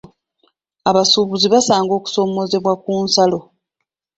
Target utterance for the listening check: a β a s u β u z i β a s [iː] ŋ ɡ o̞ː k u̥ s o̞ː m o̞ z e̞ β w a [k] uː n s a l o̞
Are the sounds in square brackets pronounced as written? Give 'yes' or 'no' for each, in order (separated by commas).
no, yes